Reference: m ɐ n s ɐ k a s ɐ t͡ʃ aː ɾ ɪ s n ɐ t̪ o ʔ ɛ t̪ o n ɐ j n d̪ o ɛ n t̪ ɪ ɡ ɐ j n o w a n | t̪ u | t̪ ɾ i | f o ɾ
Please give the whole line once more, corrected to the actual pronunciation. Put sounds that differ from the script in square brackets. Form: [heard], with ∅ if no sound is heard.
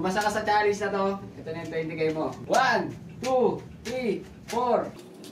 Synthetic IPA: m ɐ [∅] s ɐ k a s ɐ t͡ʃ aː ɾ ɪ s n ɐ t̪ o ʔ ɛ t̪ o n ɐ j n [t̪] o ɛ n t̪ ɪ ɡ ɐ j [m] o w a n | t̪ u | t̪ ɾ i | f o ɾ

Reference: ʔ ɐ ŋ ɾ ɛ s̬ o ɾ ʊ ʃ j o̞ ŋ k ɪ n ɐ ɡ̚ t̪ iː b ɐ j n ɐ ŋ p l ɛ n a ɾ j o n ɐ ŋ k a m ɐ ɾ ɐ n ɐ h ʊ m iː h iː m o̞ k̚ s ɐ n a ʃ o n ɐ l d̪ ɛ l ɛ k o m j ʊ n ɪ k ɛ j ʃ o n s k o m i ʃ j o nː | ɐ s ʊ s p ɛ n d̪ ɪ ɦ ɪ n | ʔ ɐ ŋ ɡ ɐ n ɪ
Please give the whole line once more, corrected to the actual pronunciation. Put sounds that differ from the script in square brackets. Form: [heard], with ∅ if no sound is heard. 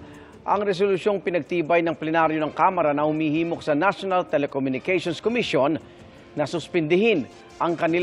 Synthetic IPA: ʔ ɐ ŋ ɾ ɛ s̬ o [l] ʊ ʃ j o̞ ŋ [p] ɪ n ɐ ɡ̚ t̪ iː b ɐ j n ɐ ŋ p l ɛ n a ɾ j o n ɐ ŋ k a m ɐ ɾ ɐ n ɐ h ʊ m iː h iː m o̞ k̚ s ɐ n a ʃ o n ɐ l [t̪] ɛ l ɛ k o m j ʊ n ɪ k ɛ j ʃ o n s k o m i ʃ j o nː | ɐ s ʊ s p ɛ n d̪ ɪ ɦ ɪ n | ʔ ɐ ŋ [k] ɐ n ɪ

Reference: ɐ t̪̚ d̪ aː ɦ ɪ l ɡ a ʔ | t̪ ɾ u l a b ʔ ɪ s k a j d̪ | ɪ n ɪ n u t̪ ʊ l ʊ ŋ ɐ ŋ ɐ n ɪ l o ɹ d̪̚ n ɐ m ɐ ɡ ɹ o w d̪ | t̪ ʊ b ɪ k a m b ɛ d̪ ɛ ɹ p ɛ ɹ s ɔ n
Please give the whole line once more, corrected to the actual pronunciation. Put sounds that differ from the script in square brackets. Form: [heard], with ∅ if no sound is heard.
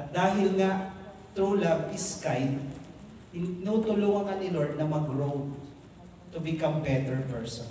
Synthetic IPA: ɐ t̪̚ d̪ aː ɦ ɪ l [ŋ] a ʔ | t̪ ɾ u l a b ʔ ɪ s k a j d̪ | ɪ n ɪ n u t̪ ʊ l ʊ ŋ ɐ ŋ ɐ n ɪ l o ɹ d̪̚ n ɐ m ɐ ɡ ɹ o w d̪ | t̪ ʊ b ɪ k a m b ɛ [t̪] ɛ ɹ p ɛ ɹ s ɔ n

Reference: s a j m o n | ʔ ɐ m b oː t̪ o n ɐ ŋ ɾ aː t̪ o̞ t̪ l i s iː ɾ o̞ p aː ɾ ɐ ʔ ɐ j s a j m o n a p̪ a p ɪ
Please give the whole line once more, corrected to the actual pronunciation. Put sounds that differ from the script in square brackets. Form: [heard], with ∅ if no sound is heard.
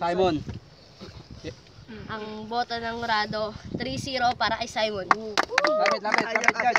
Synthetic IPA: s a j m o n | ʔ ɐ [ŋ] b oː t̪ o n ɐ ŋ ɾ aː [d̪] o̞ t̪ [ɾ] i s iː ɾ o̞ p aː ɾ ɐ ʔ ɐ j s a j m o n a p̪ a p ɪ

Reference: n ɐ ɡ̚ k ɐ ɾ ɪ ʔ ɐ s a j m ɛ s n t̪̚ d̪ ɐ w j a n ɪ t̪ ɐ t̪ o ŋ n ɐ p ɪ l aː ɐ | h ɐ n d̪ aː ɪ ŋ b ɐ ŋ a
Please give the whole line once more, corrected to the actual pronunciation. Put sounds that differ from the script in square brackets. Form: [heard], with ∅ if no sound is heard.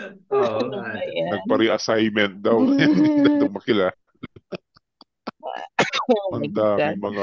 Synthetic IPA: n ɐ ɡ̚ [p] ɐ ɾ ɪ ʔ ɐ s a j m ɛ [∅] n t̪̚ d̪ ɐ w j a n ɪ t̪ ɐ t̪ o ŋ [m] ɐ [k] ɪ l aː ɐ | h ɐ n d̪ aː ɪ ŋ [m] ɐ ŋ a

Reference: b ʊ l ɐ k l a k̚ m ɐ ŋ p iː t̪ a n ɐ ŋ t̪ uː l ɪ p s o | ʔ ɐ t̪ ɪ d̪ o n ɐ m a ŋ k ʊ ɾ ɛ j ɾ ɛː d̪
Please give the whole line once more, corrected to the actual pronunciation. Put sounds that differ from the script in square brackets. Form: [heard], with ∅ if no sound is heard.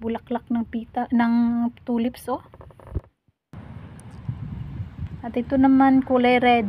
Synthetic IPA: b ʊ l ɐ k l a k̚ [n] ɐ ŋ p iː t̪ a n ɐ ŋ t̪ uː l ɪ p s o | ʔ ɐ t̪ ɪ [t̪] o n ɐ m a [n] k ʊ [l] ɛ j ɾ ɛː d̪

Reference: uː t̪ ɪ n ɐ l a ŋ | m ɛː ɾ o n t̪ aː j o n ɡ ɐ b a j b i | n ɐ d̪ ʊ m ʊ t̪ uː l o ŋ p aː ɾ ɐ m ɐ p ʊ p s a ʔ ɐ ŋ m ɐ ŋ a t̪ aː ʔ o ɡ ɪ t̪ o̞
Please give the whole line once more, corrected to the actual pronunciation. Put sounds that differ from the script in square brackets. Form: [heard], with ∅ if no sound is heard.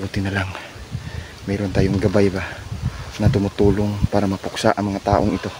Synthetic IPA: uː t̪ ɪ n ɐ l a ŋ | m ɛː ɾ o n t̪ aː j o [ŋ] ɡ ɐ b a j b [a] | n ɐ [t̪] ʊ m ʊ t̪ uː l o ŋ p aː ɾ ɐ m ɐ p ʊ [k] s a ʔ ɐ ŋ m ɐ ŋ a t̪ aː ʔ o [ŋ] ɪ t̪ o̞

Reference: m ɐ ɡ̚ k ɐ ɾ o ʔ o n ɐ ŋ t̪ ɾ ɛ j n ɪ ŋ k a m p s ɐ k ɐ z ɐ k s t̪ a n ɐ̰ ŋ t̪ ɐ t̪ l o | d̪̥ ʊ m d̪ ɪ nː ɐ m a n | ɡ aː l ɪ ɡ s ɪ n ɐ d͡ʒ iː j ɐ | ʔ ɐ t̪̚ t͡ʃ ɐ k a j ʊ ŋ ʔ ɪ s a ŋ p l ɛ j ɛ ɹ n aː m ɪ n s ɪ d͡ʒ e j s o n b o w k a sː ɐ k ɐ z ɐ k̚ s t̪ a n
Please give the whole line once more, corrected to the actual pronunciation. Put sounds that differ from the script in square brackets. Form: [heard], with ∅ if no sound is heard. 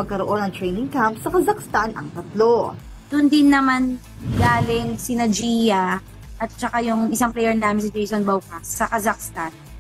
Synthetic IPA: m ɐ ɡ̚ k ɐ ɾ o ʔ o n ɐ ŋ t̪ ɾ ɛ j n ɪ ŋ k a m p s ɐ k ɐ z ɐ k s t̪ a n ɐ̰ ŋ t̪ ɐ t̪ l o | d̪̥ ʊ [n] d̪ ɪ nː ɐ m a n | ɡ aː l ɪ [ŋ] s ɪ n ɐ d͡ʒ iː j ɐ | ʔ ɐ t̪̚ t͡ʃ ɐ k a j ʊ ŋ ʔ ɪ s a ŋ p l ɛ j ɛ ɹ n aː m ɪ n s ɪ d͡ʒ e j s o n b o w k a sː ɐ k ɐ z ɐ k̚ s t̪ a n

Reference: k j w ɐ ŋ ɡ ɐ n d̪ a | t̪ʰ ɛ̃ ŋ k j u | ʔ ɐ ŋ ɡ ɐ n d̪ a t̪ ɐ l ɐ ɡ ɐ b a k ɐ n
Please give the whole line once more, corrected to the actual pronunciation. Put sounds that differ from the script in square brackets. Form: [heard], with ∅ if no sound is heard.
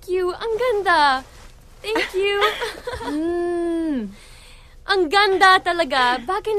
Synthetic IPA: k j [u] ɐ ŋ ɡ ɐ n d̪ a | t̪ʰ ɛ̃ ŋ k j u | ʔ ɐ ŋ ɡ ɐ n d̪ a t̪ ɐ l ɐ ɡ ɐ b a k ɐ n

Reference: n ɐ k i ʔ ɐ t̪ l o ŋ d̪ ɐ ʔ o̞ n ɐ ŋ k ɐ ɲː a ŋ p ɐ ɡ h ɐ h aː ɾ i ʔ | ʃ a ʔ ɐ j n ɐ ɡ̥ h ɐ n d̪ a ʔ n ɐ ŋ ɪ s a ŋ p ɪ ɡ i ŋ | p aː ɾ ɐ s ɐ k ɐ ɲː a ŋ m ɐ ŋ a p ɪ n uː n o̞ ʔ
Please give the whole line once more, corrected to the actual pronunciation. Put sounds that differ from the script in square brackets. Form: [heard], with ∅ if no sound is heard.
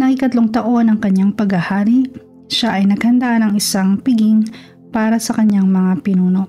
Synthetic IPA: n ɐ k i [k] ɐ t̪ l o ŋ [t̪] ɐ ʔ o̞ n ɐ ŋ k ɐ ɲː a ŋ p ɐ ɡ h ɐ h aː ɾ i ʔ | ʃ a ʔ ɐ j n ɐ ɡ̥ h ɐ n d̪ a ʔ n ɐ ŋ ɪ s a ŋ p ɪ ɡ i ŋ | p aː ɾ ɐ s ɐ k ɐ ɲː a ŋ m ɐ ŋ a p ɪ n uː n o̞ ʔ

